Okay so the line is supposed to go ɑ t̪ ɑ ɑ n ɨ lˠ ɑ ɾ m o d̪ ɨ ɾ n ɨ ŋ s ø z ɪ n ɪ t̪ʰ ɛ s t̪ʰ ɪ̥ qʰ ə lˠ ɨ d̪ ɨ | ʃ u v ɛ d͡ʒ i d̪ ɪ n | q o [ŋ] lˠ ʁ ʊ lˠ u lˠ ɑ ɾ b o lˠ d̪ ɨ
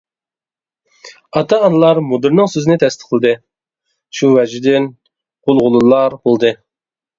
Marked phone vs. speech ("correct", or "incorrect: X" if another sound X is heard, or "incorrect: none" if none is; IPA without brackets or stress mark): incorrect: none